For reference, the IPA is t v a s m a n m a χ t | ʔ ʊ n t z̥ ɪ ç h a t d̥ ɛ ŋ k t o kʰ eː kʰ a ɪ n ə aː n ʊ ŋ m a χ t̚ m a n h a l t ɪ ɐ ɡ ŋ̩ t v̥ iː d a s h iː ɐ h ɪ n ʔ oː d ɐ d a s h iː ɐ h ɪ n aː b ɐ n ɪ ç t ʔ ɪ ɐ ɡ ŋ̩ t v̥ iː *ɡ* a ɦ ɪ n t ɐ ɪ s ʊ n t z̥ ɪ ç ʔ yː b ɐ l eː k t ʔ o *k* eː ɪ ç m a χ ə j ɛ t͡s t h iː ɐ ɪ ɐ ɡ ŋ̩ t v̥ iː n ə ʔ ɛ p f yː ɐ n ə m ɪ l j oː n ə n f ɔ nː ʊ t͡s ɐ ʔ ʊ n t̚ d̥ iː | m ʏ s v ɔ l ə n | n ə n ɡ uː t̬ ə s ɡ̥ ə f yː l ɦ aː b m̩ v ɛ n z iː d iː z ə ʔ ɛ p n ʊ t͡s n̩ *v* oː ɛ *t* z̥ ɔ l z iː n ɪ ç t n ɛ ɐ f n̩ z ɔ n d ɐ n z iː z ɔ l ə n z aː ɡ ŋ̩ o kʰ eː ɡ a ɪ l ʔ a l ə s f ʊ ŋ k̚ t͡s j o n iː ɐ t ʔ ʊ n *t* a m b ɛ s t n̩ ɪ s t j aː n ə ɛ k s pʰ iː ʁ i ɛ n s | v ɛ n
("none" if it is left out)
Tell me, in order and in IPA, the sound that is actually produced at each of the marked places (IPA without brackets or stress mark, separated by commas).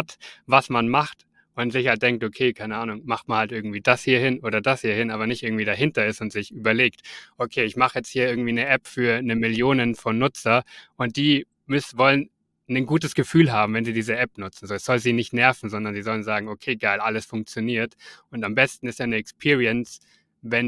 d, kʰ, z, s, t